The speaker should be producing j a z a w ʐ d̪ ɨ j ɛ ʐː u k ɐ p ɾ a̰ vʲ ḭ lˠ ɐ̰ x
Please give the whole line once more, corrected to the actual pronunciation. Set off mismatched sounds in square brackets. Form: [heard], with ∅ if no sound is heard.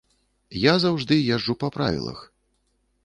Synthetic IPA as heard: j a z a w ʐ d̪ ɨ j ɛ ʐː u [p] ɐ p ɾ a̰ vʲ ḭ lˠ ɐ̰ x

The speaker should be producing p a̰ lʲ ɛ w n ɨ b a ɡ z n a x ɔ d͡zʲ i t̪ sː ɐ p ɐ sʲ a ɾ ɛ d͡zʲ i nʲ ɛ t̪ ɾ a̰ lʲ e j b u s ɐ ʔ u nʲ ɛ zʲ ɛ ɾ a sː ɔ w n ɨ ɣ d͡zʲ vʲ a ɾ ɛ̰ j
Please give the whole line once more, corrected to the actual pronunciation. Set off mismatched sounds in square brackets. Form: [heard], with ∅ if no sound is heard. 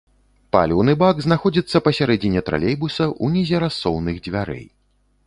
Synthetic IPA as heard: p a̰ lʲ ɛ w n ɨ b a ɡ z n a x ɔ d͡zʲ i t̪ sː ɐ p ɐ sʲ a ɾ ɛ d͡zʲ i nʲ ɛ t̪ ɾ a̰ lʲ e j b u s ɐ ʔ u nʲ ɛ zʲ ɛ ɾ a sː ɔ w n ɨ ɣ d͡zʲ vʲ a ɾ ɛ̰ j

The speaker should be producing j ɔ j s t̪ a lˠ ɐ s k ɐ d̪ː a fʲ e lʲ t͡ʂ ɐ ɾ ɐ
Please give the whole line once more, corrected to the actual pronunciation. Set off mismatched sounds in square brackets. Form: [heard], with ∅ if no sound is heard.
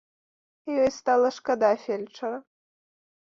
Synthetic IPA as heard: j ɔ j s t̪ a lˠ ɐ [ʂ] k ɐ [d̪] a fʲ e lʲ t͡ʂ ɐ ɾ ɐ

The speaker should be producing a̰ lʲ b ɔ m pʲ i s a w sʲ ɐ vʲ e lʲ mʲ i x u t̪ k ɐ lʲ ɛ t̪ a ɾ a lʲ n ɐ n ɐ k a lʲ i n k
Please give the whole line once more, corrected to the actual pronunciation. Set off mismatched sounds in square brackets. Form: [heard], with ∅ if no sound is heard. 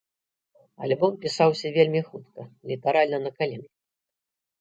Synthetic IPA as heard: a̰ lʲ b ɔ m pʲ i s a w sʲ ɐ vʲ e lʲ mʲ i x u t̪ k ɐ lʲ [i] t̪ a ɾ a lʲ n ɐ n ɐ k a lʲ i n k

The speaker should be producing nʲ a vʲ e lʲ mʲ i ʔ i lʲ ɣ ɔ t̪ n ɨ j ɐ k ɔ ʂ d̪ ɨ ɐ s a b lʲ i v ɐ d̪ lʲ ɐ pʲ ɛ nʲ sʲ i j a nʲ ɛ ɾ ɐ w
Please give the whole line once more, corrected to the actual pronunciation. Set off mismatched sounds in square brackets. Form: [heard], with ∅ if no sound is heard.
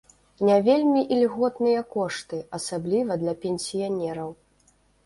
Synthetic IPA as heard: nʲ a vʲ e lʲ mʲ i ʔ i lʲ ɣ ɔ t̪ n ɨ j ɐ k ɔ ʂ [t̪] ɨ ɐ s a b lʲ i v ɐ d̪ lʲ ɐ pʲ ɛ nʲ sʲ i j a nʲ ɛ ɾ ɐ w

